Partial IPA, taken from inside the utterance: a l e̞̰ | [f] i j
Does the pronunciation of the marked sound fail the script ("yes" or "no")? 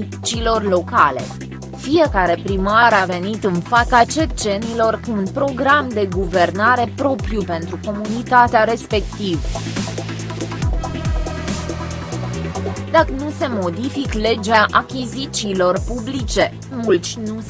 no